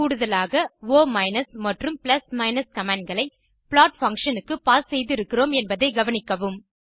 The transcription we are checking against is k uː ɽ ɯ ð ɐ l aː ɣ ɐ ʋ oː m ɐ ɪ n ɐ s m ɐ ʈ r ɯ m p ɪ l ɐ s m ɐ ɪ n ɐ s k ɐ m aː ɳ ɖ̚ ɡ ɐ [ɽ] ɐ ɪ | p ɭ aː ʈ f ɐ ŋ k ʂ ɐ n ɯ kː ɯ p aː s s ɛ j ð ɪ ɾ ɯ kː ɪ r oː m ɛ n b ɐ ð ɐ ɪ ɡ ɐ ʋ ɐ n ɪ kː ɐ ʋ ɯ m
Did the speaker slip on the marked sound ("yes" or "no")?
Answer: yes